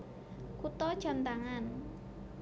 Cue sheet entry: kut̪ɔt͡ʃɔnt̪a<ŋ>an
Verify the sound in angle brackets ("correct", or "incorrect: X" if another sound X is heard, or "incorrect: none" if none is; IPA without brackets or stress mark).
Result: correct